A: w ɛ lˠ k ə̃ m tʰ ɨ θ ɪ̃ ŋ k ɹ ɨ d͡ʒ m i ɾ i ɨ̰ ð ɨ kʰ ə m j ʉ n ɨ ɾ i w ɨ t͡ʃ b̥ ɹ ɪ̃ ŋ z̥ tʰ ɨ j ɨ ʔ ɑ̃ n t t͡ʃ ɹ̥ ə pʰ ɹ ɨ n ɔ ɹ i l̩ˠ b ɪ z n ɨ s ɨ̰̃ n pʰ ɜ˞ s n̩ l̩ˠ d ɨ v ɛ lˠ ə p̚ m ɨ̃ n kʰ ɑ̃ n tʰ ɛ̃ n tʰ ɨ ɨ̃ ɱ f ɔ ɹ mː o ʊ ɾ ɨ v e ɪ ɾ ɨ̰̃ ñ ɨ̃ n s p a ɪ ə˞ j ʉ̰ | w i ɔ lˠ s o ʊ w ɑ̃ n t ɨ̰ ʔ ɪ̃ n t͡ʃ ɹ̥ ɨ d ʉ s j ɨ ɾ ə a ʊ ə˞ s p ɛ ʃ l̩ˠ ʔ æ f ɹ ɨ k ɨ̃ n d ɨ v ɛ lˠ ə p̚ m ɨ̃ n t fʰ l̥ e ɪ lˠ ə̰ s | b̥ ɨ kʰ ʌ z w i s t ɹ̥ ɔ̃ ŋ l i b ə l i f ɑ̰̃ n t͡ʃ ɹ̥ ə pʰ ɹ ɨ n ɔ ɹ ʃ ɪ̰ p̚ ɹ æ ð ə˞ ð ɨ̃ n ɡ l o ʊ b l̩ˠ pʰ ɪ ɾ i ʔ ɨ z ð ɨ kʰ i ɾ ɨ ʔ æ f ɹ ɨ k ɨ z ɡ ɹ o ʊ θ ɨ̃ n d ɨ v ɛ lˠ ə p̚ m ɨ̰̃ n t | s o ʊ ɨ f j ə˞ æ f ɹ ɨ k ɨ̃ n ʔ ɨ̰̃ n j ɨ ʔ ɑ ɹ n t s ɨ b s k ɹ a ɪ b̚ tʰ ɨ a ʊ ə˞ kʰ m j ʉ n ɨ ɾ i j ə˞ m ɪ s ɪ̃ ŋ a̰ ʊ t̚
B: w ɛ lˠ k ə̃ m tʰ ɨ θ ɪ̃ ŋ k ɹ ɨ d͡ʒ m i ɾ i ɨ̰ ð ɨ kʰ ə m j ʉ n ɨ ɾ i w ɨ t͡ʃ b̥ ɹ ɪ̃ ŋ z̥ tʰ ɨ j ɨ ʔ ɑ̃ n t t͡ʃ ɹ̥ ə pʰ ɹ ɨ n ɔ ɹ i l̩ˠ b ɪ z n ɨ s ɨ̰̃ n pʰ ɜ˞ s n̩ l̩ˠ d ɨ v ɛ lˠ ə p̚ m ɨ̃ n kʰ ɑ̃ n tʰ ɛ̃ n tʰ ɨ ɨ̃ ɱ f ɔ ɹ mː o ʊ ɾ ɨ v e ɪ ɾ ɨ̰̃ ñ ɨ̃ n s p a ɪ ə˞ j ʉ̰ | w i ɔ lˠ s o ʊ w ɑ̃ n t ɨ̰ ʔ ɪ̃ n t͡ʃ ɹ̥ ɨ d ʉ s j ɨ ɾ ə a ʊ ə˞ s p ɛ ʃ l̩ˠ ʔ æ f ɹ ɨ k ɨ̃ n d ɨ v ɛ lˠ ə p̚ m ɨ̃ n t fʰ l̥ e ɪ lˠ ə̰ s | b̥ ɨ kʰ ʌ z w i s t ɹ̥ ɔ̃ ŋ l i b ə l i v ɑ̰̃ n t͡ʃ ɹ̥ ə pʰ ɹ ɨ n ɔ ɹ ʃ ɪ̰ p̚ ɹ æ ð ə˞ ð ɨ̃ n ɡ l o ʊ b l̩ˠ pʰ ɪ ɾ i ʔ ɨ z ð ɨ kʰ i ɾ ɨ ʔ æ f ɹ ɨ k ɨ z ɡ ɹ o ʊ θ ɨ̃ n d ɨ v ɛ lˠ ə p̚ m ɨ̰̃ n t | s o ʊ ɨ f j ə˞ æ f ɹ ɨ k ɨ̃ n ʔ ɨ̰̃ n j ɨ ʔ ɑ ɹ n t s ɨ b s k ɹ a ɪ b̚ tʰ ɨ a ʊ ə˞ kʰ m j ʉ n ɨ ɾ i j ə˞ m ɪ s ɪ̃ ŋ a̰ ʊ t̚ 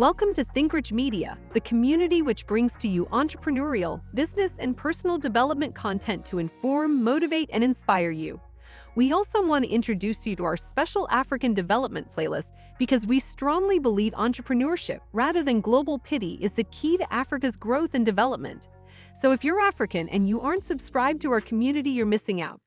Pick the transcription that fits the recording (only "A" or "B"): B